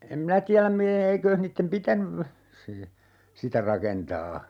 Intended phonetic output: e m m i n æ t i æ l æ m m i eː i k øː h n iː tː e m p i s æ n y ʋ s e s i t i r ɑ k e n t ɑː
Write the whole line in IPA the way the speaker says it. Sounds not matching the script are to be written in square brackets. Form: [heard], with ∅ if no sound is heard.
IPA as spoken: e m m i n æ t i æ l æ m m i eː i k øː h n iː tː e m p i [t] æ n y ʋ s e s i t [æ] r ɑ k e n t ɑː